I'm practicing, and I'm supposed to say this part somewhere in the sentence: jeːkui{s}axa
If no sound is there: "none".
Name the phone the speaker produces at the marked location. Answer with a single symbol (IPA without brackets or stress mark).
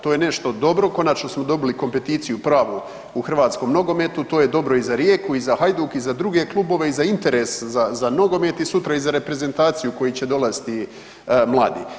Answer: z